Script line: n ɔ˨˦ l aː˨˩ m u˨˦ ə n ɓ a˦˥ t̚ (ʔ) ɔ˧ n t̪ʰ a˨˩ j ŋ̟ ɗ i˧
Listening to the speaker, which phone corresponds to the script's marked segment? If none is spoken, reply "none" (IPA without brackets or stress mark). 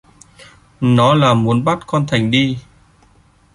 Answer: k